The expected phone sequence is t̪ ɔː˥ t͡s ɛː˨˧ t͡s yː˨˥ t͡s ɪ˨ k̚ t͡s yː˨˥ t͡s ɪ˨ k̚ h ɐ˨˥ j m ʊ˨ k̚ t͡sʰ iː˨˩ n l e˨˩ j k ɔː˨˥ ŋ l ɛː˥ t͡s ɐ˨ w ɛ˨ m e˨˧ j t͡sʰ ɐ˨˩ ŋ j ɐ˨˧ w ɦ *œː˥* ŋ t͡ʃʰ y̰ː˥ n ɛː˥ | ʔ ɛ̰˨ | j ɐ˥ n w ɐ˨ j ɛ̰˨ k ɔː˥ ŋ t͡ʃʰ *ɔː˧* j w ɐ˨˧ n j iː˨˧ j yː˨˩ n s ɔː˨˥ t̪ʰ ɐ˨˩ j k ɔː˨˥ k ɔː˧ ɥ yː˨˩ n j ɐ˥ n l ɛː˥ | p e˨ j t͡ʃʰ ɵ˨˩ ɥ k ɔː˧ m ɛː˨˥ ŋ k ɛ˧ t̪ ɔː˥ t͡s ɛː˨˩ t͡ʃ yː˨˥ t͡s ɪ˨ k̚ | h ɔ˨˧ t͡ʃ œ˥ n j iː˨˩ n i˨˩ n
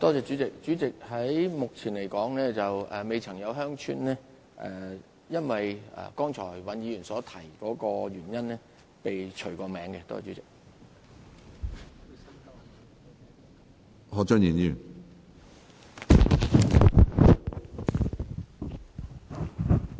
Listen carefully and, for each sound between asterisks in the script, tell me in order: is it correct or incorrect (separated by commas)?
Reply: correct, incorrect